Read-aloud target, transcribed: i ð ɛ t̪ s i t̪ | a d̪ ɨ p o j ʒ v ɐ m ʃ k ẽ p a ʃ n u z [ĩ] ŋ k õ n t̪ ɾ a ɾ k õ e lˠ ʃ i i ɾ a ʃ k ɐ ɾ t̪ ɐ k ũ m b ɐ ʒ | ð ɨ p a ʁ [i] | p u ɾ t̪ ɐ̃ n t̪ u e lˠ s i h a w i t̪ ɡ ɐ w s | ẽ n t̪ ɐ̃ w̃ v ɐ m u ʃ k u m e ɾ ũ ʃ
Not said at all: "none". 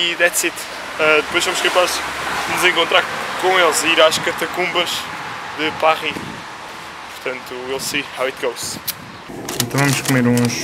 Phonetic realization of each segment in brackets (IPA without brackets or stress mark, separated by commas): ẽ, i